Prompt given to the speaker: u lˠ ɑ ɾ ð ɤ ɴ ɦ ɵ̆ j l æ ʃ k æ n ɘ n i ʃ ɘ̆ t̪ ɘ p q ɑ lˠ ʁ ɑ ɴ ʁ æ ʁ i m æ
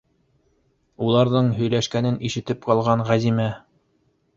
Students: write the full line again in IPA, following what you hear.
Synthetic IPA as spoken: u lˠ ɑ ɾ ð ɤ ɴ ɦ ɵ̆ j l æ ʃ k æ n ɘ n i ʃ ɘ̆ t̪ ɘ p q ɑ lˠ ʁ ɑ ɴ ʁ æ z i m æ